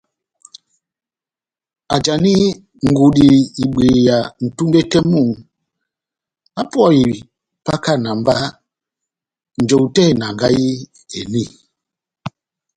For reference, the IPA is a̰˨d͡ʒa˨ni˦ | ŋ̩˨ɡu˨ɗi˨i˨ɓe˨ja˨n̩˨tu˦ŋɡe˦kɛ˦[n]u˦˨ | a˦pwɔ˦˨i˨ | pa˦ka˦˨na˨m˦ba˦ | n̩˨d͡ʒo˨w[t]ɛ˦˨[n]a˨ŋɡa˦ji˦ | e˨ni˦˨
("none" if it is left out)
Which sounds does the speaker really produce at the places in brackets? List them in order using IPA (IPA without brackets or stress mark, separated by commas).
m, t, n